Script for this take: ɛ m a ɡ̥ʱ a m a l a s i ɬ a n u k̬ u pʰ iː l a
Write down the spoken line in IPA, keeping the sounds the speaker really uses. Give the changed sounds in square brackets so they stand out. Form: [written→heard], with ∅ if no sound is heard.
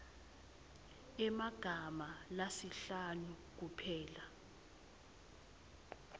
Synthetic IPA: ɛ m a ɡ̥ʱ a m a l a s i ɬ a n u k̬ u pʰ [iː→ɛː] l a